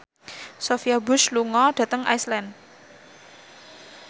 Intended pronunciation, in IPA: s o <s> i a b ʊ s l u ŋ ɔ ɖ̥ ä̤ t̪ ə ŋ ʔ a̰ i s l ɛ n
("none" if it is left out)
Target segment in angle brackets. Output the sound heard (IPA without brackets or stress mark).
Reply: f